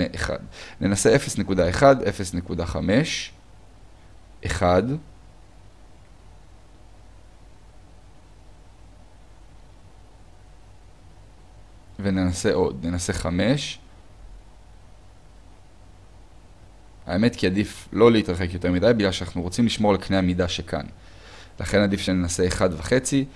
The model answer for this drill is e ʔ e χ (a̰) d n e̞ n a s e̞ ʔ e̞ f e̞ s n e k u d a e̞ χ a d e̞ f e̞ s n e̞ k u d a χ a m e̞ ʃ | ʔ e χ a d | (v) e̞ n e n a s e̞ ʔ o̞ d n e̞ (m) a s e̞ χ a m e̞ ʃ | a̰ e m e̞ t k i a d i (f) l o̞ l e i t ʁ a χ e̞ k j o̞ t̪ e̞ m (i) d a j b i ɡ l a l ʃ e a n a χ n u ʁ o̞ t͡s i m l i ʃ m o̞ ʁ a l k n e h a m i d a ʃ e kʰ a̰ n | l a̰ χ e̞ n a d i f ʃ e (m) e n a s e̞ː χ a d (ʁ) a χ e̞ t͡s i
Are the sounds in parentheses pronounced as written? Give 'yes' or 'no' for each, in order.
yes, yes, no, yes, yes, no, no

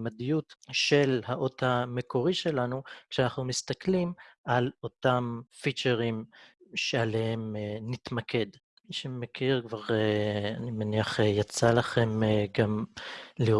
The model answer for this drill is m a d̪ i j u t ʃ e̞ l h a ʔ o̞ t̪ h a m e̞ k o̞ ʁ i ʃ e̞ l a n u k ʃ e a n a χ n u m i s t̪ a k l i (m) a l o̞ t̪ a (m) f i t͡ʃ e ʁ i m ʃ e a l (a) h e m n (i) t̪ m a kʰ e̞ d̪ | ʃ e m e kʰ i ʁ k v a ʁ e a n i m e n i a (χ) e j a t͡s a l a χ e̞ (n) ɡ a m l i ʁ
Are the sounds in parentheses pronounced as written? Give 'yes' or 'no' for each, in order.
yes, yes, no, yes, yes, no

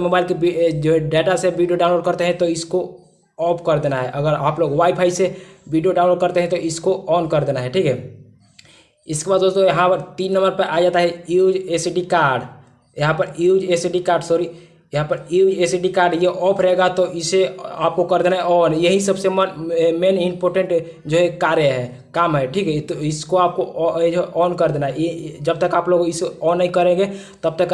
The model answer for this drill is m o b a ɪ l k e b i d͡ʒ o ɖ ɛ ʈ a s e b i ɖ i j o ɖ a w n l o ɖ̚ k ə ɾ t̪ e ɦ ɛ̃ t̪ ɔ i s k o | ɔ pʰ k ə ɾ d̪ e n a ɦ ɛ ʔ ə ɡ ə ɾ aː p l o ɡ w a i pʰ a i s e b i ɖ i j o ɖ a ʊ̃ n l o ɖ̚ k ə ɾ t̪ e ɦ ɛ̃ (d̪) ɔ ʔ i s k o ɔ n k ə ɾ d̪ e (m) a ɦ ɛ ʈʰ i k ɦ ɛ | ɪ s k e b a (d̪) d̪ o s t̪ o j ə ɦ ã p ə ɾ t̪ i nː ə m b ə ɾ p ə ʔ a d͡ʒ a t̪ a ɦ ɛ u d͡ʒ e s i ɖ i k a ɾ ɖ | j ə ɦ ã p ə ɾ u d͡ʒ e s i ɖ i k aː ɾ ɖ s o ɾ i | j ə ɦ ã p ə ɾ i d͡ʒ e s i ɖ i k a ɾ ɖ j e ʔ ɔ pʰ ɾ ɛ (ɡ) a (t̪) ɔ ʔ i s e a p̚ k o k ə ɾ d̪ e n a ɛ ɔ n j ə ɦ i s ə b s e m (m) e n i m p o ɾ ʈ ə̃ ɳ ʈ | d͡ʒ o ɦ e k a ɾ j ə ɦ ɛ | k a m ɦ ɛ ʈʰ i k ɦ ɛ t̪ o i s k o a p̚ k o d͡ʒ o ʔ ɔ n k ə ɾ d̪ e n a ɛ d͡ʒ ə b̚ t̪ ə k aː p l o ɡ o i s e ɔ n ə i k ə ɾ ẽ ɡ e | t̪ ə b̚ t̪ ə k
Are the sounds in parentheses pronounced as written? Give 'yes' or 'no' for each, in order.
no, no, yes, yes, yes, yes

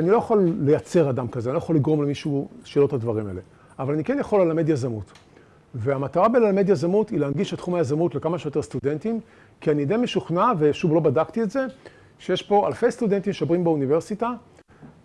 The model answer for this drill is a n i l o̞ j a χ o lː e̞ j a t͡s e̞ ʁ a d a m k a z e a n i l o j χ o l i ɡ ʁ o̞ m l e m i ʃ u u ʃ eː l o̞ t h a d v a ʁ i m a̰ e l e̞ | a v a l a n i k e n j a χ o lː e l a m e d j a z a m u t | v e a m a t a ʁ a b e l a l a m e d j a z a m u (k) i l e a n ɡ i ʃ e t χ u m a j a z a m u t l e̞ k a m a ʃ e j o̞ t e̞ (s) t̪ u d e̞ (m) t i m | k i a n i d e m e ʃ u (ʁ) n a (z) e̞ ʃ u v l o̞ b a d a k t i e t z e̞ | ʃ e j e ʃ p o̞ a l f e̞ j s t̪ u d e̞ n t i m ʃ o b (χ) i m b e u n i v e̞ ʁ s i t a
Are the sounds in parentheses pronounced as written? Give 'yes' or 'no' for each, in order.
no, yes, no, no, no, no

